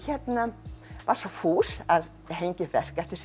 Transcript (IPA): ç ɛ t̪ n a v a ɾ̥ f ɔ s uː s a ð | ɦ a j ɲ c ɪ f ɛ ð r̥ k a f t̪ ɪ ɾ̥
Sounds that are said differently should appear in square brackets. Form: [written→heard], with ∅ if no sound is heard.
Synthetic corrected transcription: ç ɛ t̪ n a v a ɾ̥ [f→s] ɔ [s→f] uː s a ð | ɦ [a→e] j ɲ c ɪ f ɛ [ð→∅] r̥ k [a→ɛ] f t̪ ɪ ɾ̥

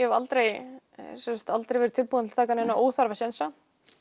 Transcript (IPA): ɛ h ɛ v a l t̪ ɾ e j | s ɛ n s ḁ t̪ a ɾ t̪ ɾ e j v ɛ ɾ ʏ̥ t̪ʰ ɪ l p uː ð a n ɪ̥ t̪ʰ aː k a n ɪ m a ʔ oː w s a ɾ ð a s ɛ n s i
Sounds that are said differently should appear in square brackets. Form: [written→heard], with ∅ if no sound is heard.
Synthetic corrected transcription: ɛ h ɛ v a l t̪ ɾ e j | s ɛ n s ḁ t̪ a [ɾ→l] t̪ ɾ e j v ɛ ɾ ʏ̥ t̪ʰ ɪ l p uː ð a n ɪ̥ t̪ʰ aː k a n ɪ [m→n] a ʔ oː w [s→θ] a ɾ [ð→v] a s ɛ n s [i→a]

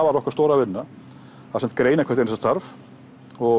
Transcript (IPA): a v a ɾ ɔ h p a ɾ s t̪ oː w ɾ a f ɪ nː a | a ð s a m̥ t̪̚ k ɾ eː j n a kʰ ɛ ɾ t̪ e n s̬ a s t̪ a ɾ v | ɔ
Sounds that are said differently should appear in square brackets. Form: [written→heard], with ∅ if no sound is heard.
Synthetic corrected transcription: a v a ɾ ɔ h [p→k] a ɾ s t̪ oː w ɾ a [f→v] ɪ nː a | a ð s [a→ɛ] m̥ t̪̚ k ɾ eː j n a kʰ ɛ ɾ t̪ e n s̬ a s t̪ a ɾ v | ɔ

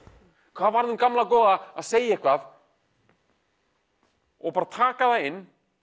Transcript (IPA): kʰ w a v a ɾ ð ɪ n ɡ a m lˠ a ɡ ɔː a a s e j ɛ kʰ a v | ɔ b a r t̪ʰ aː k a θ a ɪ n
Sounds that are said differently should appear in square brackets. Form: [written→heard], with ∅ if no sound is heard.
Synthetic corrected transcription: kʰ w a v a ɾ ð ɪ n ɡ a m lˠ a ɡ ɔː a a s e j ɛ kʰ a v | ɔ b a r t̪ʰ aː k a [θ→ð] a ɪ n

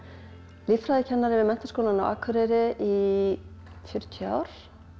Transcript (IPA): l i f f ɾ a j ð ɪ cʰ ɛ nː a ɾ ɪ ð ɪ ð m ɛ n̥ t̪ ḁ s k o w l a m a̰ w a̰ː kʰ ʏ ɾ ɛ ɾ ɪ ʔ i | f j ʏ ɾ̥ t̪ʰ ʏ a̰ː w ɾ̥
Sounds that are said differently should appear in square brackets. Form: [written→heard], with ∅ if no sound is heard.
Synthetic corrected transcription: l i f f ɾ a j ð ɪ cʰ ɛ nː a ɾ ɪ [ð→v] ɪ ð m ɛ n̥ t̪ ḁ s k o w l a [m→n] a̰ w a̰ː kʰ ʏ ɾ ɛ ɾ ɪ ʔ i | f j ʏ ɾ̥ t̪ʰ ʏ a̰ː w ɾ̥

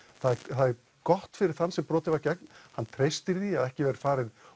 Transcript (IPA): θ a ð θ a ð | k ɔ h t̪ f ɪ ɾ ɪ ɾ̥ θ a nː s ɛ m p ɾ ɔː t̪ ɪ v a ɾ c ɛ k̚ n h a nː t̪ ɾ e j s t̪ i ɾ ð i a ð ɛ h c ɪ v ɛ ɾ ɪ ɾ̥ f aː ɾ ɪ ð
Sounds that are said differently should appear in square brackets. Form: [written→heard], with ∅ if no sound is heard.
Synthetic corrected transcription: θ a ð θ a ð | k ɔ h t̪ f ɪ ɾ ɪ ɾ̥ θ a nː s ɛ m p ɾ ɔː t̪ ɪ v a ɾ c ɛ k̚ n h a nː [t̪→t̪ʰ] ɾ e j s t̪ [i→ɪ] ɾ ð i a ð ɛ h c ɪ v ɛ ɾ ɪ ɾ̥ f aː ɾ ɪ ð

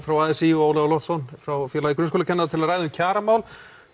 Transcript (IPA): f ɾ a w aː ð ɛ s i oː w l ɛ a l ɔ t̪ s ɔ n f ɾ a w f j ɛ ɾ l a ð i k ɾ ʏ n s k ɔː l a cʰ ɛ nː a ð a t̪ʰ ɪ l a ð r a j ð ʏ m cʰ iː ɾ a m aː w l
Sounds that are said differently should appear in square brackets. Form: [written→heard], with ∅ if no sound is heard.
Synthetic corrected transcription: f ɾ a w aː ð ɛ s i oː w l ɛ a l ɔ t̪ s ɔ n f ɾ a w f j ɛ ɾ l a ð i k ɾ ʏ n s k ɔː l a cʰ ɛ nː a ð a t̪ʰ ɪ l a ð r a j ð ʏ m cʰ [iː→aː] ɾ a m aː w l

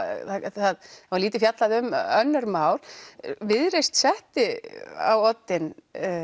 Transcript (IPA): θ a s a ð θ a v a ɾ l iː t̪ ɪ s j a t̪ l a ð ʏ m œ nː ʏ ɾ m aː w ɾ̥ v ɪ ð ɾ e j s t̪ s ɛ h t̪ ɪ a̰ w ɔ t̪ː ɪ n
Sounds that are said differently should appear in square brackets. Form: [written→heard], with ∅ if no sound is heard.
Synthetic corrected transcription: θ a [s→θ] a ð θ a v a ɾ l iː t̪ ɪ [s→f] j a t̪ l a ð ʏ m œ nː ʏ ɾ m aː w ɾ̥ v ɪ ð ɾ e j s t̪ s ɛ h t̪ ɪ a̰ w ɔ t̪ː ɪ n

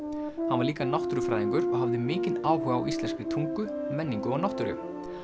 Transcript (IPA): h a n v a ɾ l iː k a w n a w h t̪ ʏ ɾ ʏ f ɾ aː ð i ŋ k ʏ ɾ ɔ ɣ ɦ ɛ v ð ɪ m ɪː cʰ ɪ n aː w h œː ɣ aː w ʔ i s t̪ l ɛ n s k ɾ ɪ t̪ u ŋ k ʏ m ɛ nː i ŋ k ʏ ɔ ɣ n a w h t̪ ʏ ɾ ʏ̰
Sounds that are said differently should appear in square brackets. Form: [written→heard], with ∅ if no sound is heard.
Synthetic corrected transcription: h a n v a ɾ l iː k a [w→∅] n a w h t̪ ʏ ɾ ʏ f ɾ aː ð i ŋ k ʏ ɾ ɔ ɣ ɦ [ɛ→a] v ð ɪ m ɪː [cʰ→c] ɪ n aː w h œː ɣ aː w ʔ i s t̪ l ɛ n s k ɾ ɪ [t̪→t̪ʰ] u ŋ k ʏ m ɛ nː i ŋ k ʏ ɔ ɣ n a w h t̪ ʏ ɾ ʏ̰

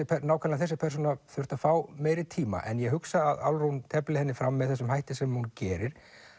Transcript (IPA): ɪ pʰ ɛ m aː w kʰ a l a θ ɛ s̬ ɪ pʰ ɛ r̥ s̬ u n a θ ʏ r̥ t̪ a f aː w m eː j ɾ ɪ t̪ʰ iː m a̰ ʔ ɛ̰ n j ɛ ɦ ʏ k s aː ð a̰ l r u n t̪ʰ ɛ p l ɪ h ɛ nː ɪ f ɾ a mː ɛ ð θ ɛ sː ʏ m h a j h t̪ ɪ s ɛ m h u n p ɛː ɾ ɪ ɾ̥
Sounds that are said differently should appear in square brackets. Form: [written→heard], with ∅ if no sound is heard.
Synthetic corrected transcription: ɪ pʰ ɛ [m→n] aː w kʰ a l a θ ɛ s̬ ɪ pʰ ɛ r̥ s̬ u n a θ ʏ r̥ t̪ a f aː w m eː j ɾ ɪ t̪ʰ iː m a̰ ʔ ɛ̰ n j ɛ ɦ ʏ k s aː ð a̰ l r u n t̪ʰ ɛ p l ɪ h ɛ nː ɪ f ɾ a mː ɛ ð θ ɛ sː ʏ m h a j h t̪ ɪ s ɛ m h u n [p→c] ɛː ɾ ɪ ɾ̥

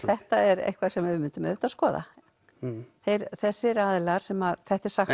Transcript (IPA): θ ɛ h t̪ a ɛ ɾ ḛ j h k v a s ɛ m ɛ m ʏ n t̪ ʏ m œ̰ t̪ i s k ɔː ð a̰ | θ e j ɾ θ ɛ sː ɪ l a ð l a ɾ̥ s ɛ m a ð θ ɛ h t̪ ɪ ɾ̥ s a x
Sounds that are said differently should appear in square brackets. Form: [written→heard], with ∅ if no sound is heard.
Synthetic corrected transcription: θ ɛ h t̪ a ɛ ɾ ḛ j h k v a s ɛ m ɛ m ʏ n t̪ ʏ m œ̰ t̪ [i→a] s k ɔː ð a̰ | θ e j ɾ θ ɛ sː ɪ [l→ɾ] a ð l a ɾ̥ s ɛ m a ð θ ɛ h t̪ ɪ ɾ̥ s a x

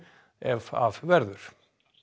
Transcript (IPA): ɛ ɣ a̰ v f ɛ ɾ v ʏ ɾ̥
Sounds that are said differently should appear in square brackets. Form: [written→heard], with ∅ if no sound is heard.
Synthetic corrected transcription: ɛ [ɣ→v] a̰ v [f→v] ɛ ɾ [v→ð] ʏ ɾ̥

